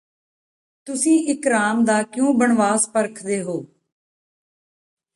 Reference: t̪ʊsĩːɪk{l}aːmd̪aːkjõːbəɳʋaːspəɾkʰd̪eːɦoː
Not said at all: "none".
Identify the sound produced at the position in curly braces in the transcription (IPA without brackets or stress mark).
ɾ